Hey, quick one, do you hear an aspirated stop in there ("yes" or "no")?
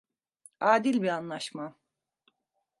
no